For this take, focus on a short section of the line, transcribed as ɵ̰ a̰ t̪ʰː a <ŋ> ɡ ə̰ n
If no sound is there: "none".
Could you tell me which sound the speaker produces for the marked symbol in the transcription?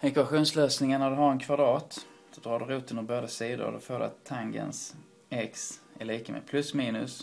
ŋ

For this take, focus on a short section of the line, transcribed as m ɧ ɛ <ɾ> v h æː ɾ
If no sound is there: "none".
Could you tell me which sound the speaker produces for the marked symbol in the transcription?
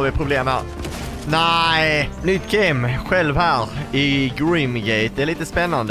l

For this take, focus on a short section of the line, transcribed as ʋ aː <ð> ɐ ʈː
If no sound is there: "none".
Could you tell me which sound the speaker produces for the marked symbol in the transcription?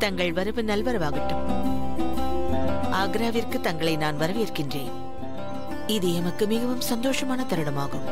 ɣ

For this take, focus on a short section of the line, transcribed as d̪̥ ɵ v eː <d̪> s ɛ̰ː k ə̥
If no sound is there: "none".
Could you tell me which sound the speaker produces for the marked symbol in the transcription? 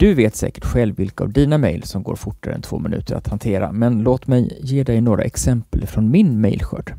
t̪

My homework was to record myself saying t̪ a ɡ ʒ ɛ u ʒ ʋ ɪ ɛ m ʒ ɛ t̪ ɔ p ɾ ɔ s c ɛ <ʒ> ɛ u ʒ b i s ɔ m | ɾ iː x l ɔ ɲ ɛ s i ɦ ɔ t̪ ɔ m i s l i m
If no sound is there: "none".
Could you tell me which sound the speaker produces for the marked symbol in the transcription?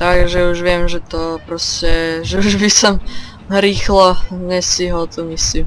ʒ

